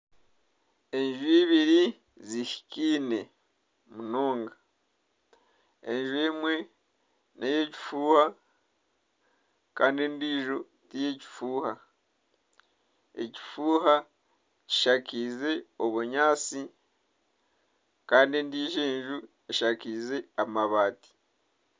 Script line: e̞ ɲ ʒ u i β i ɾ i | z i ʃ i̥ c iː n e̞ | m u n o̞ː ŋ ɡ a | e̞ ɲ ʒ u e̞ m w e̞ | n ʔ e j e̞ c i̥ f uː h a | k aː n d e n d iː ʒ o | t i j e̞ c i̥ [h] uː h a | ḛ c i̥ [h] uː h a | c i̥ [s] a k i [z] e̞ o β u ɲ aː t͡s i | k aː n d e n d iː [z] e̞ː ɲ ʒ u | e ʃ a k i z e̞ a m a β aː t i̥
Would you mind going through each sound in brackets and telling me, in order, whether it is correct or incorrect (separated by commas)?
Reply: incorrect, incorrect, incorrect, correct, incorrect